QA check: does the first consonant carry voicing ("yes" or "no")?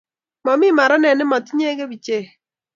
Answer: yes